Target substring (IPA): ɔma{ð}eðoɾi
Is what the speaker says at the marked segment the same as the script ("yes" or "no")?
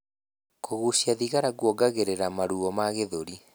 no